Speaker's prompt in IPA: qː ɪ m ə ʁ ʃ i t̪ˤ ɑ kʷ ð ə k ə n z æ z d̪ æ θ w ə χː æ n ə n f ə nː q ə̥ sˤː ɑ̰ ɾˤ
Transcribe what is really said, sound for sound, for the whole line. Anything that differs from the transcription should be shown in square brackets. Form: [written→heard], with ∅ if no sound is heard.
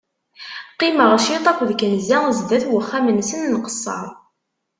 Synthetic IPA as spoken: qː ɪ m ə ʁ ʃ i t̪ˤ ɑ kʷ ð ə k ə n z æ z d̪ æ θ w ə χː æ [n→m] ə n [f→s] ə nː q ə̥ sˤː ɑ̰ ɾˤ